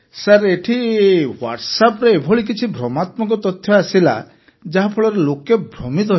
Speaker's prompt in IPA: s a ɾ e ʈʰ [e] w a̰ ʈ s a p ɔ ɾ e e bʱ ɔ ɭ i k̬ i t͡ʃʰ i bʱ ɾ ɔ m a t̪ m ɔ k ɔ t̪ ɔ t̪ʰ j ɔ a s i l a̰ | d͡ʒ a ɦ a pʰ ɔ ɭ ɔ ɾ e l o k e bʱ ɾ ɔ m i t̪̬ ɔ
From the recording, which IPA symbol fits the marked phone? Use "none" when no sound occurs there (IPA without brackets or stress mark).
i